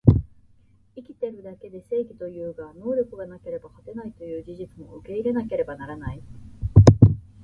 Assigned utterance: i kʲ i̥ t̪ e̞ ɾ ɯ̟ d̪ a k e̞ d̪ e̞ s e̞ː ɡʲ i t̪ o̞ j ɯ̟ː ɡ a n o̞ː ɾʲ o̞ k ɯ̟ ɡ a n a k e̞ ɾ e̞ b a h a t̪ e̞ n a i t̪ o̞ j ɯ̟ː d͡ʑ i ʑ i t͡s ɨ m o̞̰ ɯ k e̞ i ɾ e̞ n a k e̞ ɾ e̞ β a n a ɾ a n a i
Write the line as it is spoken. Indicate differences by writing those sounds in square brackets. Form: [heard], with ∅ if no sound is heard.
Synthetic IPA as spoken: i kʲ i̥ t̪ e̞ ɾ ɯ̟ d̪ a k e̞ d̪ e̞ s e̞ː ɡʲ i t̪ o̞ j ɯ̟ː ɡ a n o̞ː ɾʲ o̞ k ɯ̟ ɡ a n a k e̞ ɾ e̞ b a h a t̪ e̞ n a i t̪ o̞ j ɯ̟ː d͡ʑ i ʑ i t͡s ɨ m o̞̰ ɯ k e̞ i ɾ e̞ n a k e̞ ɾ e̞ [b] a n a ɾ a n a i

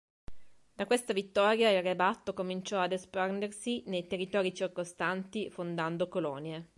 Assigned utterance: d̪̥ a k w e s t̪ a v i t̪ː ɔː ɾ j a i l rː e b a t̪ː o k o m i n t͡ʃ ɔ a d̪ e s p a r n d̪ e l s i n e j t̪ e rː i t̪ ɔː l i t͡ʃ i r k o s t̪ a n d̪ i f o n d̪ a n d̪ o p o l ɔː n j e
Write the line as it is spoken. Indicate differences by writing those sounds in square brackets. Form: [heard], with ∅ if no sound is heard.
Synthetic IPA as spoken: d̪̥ a k w e s t̪ a v i t̪ː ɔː ɾ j a i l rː e b a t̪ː o k o m i n t͡ʃ ɔ a d̪ e s p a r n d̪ e [r] s i n e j t̪ e rː i t̪ ɔː [ɾ] i t͡ʃ i r k o s t̪ a n [t̪] i f o n d̪ a n d̪ o [k] o l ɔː n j e

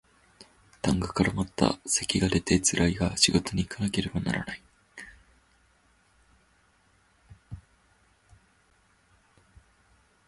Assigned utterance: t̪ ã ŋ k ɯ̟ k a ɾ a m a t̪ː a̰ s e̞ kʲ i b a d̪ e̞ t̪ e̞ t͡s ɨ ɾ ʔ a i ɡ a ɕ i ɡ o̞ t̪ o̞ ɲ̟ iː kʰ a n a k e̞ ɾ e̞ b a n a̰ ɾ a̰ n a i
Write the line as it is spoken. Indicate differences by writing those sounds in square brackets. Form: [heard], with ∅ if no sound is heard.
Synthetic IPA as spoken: t̪ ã ŋ [ɡ] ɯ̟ k a ɾ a m a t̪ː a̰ s e̞ kʲ i [ɡ] a d̪ e̞ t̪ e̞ t͡s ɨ ɾ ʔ a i ɡ a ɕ i ɡ o̞ t̪ o̞ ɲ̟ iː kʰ a n a k e̞ ɾ e̞ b a n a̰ ɾ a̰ n a i

